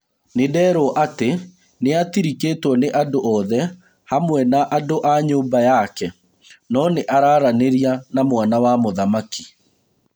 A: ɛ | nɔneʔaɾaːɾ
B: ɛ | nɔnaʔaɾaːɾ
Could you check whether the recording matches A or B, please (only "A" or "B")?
A